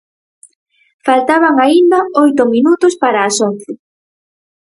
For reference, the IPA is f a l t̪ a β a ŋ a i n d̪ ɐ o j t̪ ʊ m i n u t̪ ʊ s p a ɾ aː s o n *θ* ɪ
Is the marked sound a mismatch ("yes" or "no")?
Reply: no